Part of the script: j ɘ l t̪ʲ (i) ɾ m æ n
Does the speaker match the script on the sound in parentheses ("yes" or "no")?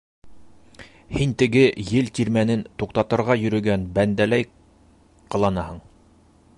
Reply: yes